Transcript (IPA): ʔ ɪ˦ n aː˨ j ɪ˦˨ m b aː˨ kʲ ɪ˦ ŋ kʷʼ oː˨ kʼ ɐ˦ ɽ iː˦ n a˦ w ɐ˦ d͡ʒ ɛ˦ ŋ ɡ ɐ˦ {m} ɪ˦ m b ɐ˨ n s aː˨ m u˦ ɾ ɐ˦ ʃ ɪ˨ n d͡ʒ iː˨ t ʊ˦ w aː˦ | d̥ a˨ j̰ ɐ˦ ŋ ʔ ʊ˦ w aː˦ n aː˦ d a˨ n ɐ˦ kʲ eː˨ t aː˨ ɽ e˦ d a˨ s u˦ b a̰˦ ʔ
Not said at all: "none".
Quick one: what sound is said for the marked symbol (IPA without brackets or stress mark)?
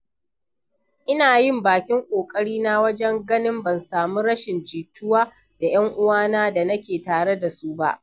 n